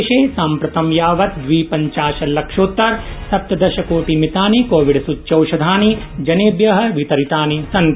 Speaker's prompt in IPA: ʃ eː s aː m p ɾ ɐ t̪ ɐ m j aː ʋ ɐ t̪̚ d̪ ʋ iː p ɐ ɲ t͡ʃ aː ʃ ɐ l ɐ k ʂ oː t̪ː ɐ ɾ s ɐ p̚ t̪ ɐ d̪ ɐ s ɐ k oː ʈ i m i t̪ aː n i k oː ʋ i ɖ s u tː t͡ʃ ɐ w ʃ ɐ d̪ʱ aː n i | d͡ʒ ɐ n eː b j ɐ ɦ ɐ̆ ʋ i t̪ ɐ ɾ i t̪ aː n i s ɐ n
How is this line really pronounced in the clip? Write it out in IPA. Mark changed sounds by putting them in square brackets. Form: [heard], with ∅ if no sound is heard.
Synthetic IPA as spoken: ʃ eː s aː m p ɾ ɐ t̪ ɐ m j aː ʋ ɐ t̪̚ d̪ ʋ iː p ɐ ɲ t͡ʃ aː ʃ ɐ l ɐ k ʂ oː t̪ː ɐ ɾ s ɐ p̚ t̪ ɐ d̪ ɐ [ʃ] ɐ k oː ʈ i m i t̪ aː n i k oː ʋ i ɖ s u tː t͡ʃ ɐ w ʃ ɐ d̪ʱ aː n i | d͡ʒ ɐ n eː b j ɐ ɦ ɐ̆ ʋ i t̪ ɐ ɾ i t̪ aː n i s ɐ n